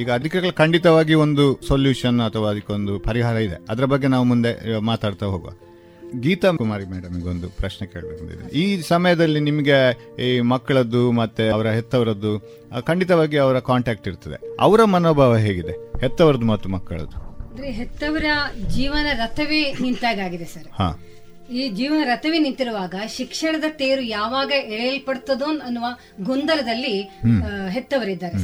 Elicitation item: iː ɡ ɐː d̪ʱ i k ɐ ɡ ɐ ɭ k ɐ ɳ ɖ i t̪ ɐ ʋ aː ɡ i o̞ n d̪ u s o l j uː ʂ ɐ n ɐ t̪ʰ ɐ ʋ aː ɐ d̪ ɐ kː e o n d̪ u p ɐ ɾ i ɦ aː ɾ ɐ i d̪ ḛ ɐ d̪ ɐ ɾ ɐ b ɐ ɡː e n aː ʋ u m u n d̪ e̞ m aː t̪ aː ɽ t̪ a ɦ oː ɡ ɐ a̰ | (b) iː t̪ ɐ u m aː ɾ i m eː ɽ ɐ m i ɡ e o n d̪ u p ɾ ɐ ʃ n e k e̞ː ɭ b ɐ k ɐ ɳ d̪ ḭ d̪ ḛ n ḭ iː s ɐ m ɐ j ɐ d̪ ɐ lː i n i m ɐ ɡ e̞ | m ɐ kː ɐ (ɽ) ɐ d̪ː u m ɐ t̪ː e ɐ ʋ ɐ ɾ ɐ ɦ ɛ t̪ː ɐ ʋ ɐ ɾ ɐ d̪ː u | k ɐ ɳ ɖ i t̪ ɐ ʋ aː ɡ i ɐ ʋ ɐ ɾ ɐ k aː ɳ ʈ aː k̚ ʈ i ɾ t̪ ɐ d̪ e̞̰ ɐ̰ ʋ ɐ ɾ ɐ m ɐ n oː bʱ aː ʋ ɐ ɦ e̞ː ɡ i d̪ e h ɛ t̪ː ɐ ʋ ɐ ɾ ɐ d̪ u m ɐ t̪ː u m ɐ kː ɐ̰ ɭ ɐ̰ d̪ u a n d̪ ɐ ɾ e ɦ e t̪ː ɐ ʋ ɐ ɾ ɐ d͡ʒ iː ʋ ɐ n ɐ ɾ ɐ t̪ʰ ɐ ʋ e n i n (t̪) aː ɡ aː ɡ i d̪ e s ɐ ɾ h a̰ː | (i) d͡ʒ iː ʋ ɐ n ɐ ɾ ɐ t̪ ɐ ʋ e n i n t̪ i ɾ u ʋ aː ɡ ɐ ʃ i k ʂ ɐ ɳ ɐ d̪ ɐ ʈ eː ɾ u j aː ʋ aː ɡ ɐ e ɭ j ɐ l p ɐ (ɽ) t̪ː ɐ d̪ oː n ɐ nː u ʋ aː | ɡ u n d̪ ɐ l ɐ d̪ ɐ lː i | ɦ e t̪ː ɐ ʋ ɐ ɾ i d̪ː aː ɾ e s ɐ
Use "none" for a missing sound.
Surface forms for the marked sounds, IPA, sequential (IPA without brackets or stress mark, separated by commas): ɡ, ɭ, t̪, iː, ɽ